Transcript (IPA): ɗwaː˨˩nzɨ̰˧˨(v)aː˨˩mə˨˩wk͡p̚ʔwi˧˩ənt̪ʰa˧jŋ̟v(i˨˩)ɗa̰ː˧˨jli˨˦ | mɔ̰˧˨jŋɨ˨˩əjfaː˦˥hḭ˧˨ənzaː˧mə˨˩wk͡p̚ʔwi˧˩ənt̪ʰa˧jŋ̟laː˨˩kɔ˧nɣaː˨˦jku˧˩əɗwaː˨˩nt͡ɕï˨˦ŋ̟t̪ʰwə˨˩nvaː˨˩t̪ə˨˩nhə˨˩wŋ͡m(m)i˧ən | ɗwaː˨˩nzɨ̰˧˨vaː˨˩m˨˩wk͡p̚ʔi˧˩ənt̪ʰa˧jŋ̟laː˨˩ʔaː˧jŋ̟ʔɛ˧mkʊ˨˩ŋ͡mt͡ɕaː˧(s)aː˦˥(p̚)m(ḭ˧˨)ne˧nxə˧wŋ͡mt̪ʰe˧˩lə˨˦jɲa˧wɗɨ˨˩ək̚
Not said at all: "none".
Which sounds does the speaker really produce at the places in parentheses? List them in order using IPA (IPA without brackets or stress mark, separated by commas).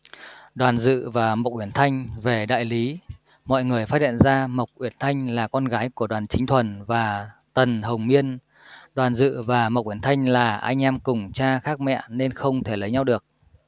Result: v, e˨˩, m, x, k̚, ɛ̰˧˨